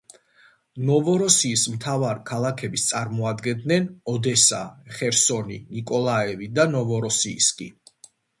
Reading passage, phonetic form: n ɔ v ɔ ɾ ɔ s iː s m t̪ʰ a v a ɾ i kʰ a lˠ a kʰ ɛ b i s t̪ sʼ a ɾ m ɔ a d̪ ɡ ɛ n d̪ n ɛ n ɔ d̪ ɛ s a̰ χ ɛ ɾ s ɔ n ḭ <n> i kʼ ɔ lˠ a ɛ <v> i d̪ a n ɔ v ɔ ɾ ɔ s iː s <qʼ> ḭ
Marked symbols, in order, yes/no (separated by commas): yes, yes, no